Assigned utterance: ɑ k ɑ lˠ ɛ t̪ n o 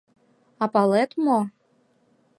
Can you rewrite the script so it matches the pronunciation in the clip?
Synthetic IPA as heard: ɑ p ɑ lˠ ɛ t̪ m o

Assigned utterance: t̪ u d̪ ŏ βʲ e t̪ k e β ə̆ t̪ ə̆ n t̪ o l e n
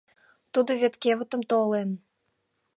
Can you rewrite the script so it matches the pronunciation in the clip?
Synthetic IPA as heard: t̪ u d̪ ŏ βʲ e t̪ k e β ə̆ t̪ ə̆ m t̪ o l e n

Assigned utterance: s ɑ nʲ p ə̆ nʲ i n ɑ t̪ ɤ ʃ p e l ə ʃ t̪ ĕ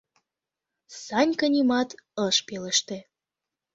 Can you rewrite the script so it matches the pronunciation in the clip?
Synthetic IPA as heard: s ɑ nʲ k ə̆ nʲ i m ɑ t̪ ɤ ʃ p e l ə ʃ t̪ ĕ

